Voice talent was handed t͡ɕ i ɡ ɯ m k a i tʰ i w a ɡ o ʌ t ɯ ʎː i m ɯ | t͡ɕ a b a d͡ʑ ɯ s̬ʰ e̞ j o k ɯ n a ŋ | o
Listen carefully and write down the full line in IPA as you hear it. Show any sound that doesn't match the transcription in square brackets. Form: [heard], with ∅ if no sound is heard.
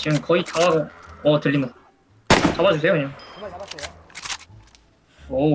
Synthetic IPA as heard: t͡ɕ i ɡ ɯ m k [ʌ] i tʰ [a] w a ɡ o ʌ t ɯ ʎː i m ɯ | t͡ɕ a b a d͡ʑ [u] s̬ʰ e̞ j o k ɯ [ɲ] a ŋ | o

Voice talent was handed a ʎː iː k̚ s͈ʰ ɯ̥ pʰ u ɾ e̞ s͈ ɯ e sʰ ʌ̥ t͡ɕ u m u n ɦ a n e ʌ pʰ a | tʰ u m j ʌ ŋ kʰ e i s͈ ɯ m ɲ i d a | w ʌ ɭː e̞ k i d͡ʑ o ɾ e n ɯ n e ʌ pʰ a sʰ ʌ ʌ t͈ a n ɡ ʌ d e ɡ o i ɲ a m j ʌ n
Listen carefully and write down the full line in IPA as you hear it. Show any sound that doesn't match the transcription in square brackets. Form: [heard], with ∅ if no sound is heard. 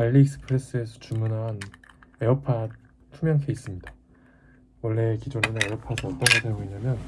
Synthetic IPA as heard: a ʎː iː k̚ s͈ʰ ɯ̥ pʰ [ɯ] ɾ e̞ s͈ ɯ e sʰ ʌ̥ t͡ɕ u m u n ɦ a n e ʌ pʰ a | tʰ u m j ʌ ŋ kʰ e i s͈ ɯ m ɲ i d a | w ʌ ɭː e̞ k i d͡ʑ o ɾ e n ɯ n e ʌ pʰ a sʰ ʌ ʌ t͈ [ʌ] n ɡ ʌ d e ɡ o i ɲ a m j ʌ n

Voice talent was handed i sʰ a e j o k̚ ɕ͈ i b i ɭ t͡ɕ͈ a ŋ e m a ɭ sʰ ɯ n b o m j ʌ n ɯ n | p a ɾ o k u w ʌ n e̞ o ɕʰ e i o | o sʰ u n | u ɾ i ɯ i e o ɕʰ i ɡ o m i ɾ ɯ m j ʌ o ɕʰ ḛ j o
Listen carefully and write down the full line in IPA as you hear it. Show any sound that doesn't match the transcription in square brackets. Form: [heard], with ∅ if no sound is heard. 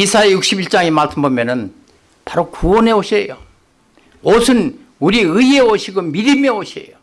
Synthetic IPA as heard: i sʰ a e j [u] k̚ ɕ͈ i b i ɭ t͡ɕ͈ a ŋ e m a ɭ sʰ ɯ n b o m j ʌ n ɯ n | p a ɾ o k u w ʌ n e̞ o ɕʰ e [j] o | o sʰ [ɯ] n | u ɾ i ɯ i e o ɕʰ i ɡ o m i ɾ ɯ m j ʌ o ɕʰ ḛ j o

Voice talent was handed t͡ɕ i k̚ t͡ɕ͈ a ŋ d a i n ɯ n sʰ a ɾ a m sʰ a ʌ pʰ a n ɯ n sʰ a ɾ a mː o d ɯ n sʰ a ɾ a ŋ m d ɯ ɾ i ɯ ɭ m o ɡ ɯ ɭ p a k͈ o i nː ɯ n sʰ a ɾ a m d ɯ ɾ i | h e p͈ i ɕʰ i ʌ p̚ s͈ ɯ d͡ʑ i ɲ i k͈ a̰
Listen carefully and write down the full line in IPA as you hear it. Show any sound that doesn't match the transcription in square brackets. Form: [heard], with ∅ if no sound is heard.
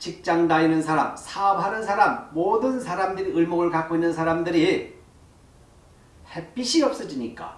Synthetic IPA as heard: t͡ɕ i k̚ t͡ɕ͈ a ŋ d a i n ɯ n sʰ a ɾ a m sʰ a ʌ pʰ a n ɯ n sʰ a ɾ a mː o d ɯ n sʰ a ɾ a [∅] m d ɯ ɾ i ɯ ɭ m o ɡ ɯ ɭ [k] a k͈ o i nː ɯ n sʰ a ɾ a m d ɯ ɾ i | h e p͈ i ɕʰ i ʌ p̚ s͈ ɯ d͡ʑ i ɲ i k͈ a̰

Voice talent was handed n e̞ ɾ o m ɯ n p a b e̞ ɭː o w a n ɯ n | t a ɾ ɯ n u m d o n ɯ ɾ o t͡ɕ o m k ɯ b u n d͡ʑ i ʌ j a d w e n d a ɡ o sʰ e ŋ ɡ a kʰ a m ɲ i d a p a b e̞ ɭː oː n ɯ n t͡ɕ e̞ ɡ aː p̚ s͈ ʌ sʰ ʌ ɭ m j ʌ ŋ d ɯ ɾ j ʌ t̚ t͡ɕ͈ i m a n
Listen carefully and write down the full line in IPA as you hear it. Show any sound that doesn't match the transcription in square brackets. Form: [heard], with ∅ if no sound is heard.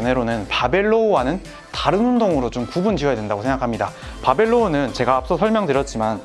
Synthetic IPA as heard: n e̞ ɾ o [n] ɯ n p a b e̞ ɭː o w a n ɯ n | t a ɾ ɯ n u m d o [ŋ] ɯ ɾ o t͡ɕ o m k [u] b u n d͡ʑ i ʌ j a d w e n d a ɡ o sʰ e ŋ ɡ a kʰ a m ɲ i d a p a b e̞ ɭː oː n ɯ n t͡ɕ e̞ ɡ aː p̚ s͈ ʌ sʰ ʌ ɭ m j ʌ ŋ d ɯ ɾ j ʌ t̚ t͡ɕ͈ i m a n

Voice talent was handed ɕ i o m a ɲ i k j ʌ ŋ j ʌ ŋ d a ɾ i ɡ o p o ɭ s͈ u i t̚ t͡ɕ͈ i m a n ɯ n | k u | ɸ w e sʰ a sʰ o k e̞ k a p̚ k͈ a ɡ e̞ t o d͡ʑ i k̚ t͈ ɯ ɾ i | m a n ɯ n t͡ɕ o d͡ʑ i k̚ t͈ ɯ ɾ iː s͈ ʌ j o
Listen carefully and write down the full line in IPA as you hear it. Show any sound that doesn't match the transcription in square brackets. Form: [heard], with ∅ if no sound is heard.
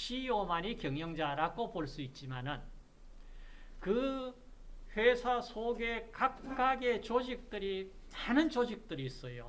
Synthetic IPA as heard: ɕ i o m a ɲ i k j ʌ ŋ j ʌ ŋ [d͡ʑ] a ɾ [a] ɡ o p o ɭ s͈ u i t̚ t͡ɕ͈ i m a n ɯ n | k [ɯ] | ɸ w e sʰ a sʰ o [ɡ] e̞ k a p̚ k͈ a ɡ e̞ [t͡ɕ] o d͡ʑ i k̚ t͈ ɯ ɾ i | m a n ɯ n t͡ɕ o d͡ʑ i k̚ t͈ ɯ ɾ iː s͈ ʌ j o

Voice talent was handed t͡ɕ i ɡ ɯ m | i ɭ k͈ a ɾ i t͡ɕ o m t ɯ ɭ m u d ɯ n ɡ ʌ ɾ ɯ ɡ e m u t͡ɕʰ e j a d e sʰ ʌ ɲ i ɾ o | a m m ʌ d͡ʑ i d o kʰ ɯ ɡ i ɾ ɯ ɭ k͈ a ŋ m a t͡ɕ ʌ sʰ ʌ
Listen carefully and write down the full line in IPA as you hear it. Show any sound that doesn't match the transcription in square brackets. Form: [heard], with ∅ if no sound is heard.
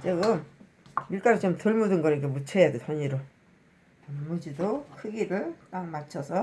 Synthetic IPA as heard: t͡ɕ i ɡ ɯ m | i ɭ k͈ a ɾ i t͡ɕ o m t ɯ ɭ m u d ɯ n ɡ ʌ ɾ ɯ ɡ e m u t͡ɕʰ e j a d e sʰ ʌ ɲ i ɾ o | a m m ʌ d͡ʑ i d o kʰ ɯ ɡ i ɾ ɯ ɭ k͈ a ŋ m a [t͡ɕʰ] ʌ sʰ ʌ

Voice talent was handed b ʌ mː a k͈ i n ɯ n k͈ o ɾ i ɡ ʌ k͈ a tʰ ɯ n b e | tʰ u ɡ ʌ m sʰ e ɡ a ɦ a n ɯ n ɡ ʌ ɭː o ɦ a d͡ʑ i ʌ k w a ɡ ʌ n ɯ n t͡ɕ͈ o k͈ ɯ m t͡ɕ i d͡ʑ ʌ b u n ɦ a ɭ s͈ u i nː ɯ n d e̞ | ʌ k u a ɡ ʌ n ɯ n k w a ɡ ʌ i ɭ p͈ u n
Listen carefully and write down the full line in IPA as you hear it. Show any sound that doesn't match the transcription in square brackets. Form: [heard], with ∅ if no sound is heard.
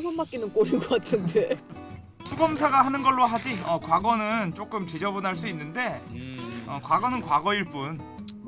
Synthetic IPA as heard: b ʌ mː a k͈ i n ɯ n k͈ o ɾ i ɡ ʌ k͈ a tʰ ɯ n [d] e | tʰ u ɡ ʌ m sʰ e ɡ a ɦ a n ɯ n ɡ ʌ ɭː o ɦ a d͡ʑ i ʌ k w a ɡ ʌ n ɯ n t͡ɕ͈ o k͈ ɯ m t͡ɕ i d͡ʑ ʌ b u n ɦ a ɭ s͈ u i nː ɯ n d e̞ | ʌ k [w] a ɡ ʌ n ɯ n k w a ɡ ʌ i ɭ p͈ u n

